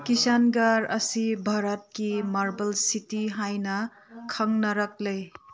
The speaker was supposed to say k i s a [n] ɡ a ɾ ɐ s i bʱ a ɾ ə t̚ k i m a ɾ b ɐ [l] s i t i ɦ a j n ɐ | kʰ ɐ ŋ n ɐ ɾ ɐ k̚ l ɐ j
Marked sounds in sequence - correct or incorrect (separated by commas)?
correct, correct